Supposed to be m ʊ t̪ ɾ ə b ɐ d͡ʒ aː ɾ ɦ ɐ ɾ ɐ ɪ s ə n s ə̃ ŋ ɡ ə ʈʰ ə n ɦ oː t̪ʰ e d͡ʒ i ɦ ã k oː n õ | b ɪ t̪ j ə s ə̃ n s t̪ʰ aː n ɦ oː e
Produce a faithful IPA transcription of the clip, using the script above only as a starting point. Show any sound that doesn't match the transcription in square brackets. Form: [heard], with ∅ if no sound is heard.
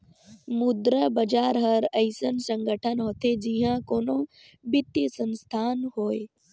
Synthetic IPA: m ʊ [d̪] ɾ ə b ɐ d͡ʒ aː ɾ ɦ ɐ ɾ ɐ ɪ s ə n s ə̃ ŋ ɡ ə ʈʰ ə n ɦ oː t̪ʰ e d͡ʒ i ɦ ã k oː n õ | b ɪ t̪ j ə s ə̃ n s t̪ʰ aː n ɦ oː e